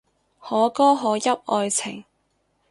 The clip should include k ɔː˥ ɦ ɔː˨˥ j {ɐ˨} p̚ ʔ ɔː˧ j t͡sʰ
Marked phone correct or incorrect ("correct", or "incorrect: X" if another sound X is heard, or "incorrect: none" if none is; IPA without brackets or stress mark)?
incorrect: ɐ˥